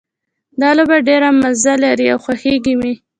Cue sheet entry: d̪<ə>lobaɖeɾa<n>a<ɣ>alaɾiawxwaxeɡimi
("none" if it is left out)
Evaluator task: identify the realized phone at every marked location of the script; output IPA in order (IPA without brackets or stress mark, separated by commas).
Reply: ɑ, m, z